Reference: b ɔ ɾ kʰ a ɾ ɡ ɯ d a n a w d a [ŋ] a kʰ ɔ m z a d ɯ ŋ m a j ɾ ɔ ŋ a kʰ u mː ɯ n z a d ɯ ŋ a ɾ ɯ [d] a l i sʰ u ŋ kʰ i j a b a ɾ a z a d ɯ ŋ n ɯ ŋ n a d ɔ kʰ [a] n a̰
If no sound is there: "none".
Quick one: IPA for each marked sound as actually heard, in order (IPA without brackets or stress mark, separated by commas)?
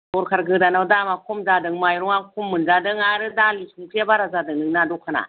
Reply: m, d, a